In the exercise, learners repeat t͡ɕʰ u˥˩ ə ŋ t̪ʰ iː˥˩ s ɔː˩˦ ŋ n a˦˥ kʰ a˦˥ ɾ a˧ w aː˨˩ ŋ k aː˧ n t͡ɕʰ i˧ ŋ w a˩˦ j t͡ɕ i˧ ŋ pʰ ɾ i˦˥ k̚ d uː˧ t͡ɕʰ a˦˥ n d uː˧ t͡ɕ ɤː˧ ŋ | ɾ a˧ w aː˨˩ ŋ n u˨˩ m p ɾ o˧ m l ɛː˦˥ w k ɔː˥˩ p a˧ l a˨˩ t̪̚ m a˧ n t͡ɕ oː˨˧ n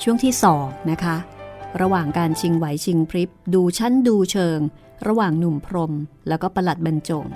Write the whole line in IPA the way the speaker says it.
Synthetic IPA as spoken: t͡ɕʰ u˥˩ ə ŋ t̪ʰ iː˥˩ s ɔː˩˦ ŋ n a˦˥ kʰ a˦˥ ɾ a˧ w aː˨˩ ŋ k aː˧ n t͡ɕʰ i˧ ŋ w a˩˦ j t͡ɕʰ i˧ ŋ pʰ ɾ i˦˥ p̚ d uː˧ t͡ɕʰ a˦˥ n d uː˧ t͡ɕʰ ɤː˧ ŋ | ɾ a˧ w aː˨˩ ŋ n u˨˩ m pʰ ɾ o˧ m l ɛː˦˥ w k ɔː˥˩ p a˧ l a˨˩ t̪̚ b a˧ n t͡ɕ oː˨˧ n